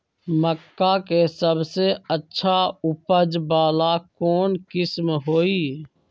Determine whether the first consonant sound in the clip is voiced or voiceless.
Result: voiced